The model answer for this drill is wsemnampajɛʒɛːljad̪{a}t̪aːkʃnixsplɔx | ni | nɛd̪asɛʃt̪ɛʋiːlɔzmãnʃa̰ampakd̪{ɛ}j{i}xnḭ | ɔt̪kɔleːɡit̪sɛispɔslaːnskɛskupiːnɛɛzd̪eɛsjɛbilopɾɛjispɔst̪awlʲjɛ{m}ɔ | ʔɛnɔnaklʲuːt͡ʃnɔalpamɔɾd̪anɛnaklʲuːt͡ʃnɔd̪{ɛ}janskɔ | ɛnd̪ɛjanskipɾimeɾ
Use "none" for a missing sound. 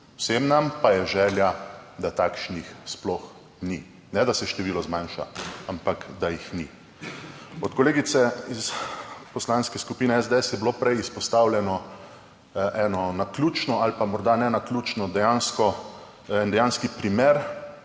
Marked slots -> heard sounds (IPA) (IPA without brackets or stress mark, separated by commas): a, a, i, n, ɛ